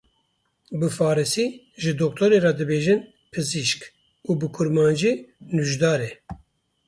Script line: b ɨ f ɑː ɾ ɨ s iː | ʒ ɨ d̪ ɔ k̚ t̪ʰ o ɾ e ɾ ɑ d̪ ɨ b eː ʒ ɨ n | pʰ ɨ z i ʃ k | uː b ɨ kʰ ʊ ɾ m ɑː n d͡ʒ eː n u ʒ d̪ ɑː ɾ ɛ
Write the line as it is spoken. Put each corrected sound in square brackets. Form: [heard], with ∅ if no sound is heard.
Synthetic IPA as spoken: b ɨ f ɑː ɾ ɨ s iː | ʒ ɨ d̪ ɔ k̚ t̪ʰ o ɾ e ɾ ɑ d̪ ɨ b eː ʒ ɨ n | pʰ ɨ z i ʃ k | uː b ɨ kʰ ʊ ɾ m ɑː n d͡ʒ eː n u ʒ d̪ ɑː ɾ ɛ